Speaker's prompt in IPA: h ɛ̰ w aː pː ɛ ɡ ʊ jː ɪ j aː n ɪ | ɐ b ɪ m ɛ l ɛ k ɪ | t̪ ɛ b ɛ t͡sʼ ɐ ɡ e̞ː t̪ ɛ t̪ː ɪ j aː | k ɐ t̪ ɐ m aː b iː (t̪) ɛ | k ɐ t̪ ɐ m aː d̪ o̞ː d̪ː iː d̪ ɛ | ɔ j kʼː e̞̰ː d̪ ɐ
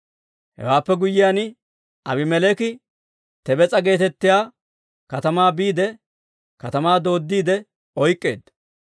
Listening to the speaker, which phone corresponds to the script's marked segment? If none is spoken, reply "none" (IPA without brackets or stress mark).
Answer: d̪